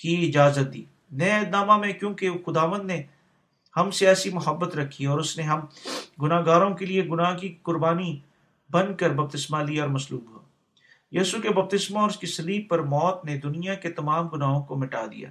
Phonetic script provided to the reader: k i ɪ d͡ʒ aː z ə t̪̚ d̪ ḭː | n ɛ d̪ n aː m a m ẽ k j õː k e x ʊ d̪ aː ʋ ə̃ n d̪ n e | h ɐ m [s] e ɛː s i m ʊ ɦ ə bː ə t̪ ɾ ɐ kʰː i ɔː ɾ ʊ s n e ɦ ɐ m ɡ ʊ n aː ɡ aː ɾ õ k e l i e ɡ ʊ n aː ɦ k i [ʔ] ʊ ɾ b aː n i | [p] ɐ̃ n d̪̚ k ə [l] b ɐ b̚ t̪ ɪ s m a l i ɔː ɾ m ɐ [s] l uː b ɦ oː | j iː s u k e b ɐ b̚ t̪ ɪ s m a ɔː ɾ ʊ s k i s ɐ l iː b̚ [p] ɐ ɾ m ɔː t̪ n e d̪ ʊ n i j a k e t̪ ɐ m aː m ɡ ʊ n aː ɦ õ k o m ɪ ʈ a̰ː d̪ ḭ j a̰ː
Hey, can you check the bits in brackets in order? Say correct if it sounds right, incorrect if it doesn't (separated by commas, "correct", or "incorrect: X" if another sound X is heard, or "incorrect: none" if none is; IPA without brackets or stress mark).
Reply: correct, incorrect: k, incorrect: b, incorrect: ɾ, correct, correct